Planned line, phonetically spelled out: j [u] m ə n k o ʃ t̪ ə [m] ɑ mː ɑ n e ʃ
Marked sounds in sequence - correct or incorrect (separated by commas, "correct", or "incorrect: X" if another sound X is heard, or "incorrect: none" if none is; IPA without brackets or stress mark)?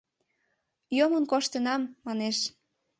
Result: incorrect: o, incorrect: n